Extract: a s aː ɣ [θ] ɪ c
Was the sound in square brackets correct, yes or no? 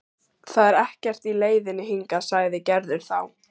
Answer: no